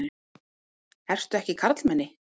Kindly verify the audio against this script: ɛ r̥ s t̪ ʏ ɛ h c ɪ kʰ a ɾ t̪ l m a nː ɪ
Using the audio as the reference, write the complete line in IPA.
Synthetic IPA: ɛ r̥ s t̪ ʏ ɛ h c ɪ kʰ a ɾ t̪ l m ɛ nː ɪ